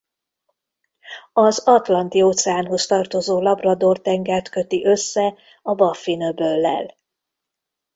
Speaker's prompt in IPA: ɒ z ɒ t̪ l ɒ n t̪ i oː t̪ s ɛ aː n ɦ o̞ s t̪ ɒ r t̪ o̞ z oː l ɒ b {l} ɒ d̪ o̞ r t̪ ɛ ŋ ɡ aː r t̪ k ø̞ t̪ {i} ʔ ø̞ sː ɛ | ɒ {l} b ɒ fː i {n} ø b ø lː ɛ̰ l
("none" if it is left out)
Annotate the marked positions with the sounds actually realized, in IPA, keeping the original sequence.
r, i, none, n

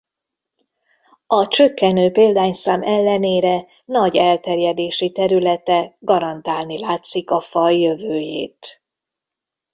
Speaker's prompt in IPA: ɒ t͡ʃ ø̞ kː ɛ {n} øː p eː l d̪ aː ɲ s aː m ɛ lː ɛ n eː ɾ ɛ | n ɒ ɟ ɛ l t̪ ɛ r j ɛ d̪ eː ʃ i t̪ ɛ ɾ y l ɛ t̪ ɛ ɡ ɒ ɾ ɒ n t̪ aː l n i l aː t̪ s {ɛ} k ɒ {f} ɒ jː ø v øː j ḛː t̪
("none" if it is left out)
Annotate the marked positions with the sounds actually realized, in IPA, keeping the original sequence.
n, i, f

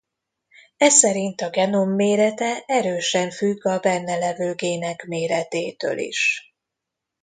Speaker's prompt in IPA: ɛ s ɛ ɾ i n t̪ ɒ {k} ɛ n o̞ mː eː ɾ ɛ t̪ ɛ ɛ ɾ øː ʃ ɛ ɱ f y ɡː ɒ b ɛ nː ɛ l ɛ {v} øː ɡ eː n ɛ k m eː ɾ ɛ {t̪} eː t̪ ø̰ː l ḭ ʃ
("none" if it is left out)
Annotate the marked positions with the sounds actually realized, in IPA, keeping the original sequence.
ɡ, v, t̪

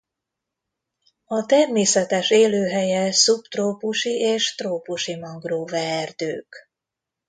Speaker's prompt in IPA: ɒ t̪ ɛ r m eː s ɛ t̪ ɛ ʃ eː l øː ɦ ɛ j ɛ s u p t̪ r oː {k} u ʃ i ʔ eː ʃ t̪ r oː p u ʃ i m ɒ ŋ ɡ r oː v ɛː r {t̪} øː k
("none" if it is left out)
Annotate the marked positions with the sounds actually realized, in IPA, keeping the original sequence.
p, d̪

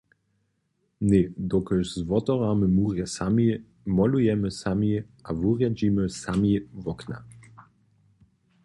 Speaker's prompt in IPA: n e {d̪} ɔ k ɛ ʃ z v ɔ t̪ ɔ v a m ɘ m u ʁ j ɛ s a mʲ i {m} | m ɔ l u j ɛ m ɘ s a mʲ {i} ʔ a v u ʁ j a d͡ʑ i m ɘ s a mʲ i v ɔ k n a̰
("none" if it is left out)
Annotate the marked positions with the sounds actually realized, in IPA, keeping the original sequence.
d̪, none, i

